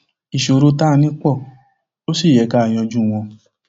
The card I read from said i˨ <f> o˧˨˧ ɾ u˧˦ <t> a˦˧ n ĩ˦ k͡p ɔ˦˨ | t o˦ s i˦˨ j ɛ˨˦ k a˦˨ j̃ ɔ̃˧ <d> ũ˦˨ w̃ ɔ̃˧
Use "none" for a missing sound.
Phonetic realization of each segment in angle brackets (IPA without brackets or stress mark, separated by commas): ʃ, t, d͡ʒ